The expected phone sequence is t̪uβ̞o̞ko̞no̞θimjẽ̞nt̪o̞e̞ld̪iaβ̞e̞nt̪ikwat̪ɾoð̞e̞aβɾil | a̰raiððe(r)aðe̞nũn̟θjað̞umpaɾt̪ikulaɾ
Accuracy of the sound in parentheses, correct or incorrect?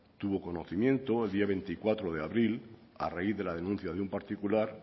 incorrect